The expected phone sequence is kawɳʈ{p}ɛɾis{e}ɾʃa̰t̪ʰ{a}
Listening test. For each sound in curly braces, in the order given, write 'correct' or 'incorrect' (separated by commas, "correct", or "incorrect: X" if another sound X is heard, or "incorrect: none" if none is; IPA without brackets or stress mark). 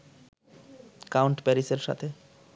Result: correct, correct, incorrect: e